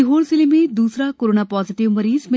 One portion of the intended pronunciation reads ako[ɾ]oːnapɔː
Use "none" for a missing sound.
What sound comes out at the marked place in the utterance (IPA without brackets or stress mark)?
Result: ɾ